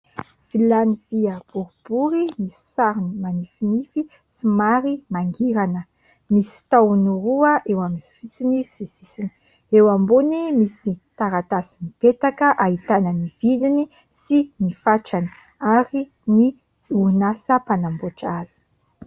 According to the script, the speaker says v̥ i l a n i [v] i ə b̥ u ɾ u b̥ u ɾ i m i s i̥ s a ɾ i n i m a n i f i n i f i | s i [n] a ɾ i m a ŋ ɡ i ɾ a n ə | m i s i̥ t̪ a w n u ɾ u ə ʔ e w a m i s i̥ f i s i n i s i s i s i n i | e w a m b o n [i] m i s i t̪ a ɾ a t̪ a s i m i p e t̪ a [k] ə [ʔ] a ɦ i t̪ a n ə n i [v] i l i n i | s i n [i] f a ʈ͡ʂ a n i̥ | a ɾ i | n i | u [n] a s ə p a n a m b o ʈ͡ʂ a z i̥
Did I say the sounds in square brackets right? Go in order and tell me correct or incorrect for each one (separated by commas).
correct, incorrect, correct, correct, correct, correct, correct, correct